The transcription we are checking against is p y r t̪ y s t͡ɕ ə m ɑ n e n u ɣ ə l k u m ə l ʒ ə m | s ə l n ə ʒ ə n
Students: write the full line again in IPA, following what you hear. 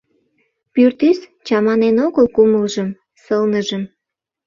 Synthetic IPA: p y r t̪ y s t͡ɕ ɑ m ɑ n e n o ɣ ə l k u m ə l ʒ ə m | s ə l n ə ʒ ə m